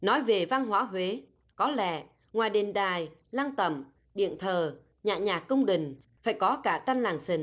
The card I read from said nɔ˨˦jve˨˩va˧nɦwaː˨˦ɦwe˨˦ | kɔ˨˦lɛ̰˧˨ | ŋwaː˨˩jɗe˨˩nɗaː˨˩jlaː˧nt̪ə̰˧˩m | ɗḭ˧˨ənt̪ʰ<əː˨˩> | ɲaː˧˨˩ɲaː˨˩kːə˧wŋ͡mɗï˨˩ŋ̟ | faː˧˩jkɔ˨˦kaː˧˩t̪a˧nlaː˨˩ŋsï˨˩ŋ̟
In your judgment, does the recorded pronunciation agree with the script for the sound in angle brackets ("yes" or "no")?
yes